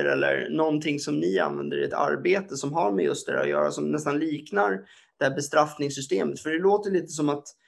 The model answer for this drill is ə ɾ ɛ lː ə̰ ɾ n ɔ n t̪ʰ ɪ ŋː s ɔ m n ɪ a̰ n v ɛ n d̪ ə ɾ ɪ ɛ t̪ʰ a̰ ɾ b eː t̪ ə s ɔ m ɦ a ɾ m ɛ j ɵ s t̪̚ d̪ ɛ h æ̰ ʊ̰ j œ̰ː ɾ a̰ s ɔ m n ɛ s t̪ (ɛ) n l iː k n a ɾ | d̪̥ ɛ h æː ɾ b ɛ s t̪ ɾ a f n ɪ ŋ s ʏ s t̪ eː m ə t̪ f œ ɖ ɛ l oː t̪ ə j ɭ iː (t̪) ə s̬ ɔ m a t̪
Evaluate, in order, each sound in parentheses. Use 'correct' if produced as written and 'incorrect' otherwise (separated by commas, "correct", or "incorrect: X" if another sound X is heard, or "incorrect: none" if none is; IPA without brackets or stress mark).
incorrect: a, correct